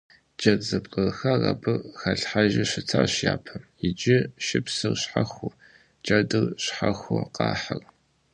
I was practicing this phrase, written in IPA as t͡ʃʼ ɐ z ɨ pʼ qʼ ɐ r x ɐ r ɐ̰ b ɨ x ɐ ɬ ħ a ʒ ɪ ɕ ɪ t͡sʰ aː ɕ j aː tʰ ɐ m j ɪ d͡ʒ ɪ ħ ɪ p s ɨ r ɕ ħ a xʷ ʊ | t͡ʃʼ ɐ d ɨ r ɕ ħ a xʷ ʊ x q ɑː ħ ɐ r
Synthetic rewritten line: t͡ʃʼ ɐ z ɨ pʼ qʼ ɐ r x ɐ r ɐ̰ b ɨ x ɐ ɬ ħ a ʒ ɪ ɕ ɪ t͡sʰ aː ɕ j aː pʰ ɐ m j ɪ d͡ʒ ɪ ʃ ɪ p s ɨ r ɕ ħ a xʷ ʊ | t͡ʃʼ ɐ d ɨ r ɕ ħ a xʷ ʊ q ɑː ħ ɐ r